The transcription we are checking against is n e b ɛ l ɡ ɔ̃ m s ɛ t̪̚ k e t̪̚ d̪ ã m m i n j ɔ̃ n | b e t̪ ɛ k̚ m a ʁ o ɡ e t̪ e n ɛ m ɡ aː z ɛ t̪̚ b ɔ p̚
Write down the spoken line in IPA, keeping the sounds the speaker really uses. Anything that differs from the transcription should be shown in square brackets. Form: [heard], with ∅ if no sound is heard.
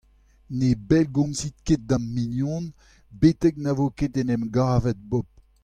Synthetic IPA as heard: n e b ɛ l ɡ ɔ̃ m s [i] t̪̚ k e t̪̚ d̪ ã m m i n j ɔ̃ n | b e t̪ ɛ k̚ [n] a [v] o [k] e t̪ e n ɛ m ɡ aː [v] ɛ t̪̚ b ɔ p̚